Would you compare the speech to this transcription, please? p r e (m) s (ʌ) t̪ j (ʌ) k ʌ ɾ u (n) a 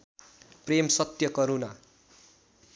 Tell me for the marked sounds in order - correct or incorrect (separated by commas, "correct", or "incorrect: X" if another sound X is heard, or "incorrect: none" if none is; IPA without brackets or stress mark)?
correct, correct, correct, correct